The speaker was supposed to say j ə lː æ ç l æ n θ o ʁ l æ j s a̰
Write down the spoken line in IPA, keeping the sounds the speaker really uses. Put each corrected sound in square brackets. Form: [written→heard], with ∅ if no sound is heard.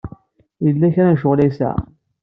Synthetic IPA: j ə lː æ ç [l→ɾ] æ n [θ→ʃ] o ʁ l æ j s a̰